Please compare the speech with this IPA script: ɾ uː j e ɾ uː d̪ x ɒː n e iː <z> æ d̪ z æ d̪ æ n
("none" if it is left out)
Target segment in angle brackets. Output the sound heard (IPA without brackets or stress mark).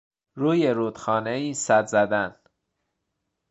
s